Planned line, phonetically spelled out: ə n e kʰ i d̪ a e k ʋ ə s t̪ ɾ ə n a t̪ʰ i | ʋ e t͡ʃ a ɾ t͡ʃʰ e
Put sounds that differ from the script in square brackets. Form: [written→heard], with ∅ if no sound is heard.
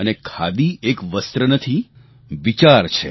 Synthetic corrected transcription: ə n e kʰ [i→a] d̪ [a→i] e k ʋ ə s t̪ ɾ ə n [a→ə] t̪ʰ i | ʋ [e→i] t͡ʃ a ɾ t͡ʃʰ e